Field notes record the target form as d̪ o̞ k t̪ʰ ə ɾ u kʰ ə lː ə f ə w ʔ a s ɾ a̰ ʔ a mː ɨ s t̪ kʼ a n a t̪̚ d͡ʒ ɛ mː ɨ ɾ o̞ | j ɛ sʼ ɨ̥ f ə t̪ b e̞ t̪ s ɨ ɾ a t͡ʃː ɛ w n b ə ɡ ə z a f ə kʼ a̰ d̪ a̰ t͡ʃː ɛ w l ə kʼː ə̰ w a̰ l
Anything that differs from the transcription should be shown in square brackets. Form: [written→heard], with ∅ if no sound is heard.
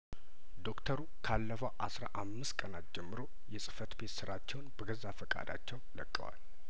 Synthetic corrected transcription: d̪ o̞ k t̪ʰ ə ɾ u kʰ [ə→a] lː ə f ə w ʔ a s ɾ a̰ ʔ a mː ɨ s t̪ kʼ [a→ə] n a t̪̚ d͡ʒ ɛ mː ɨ ɾ o̞ | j ɛ sʼ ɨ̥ f ə t̪ b e̞ t̪ s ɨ ɾ a t͡ʃː ɛ w n b ə ɡ ə z a f ə kʼ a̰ d̪ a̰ t͡ʃː ɛ w l ə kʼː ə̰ w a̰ l